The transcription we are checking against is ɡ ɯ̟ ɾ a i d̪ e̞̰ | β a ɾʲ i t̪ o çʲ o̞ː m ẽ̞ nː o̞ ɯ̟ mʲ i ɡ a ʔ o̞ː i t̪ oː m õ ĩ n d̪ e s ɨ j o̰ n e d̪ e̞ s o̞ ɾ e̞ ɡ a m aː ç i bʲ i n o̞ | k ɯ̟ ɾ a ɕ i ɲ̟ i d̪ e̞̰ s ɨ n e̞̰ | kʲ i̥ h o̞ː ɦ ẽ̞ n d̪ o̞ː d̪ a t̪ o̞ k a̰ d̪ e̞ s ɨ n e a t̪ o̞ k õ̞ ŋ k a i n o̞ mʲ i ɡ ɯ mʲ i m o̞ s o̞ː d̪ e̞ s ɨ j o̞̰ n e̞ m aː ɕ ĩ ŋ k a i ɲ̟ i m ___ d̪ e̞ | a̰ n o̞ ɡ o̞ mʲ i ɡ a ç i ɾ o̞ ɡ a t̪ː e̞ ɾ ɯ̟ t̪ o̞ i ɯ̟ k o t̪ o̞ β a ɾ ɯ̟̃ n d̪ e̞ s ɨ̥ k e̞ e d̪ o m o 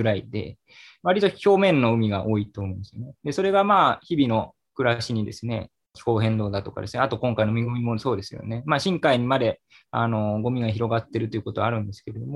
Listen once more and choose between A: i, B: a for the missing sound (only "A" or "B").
B